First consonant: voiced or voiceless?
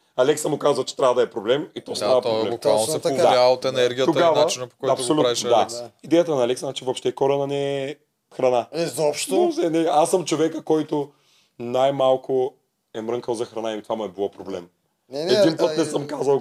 voiced